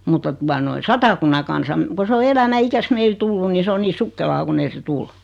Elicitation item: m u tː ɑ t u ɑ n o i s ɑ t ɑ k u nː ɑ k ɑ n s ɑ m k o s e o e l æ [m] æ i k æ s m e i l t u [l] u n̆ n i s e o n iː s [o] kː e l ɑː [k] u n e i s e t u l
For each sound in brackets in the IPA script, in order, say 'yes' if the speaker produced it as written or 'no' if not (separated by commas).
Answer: yes, no, no, yes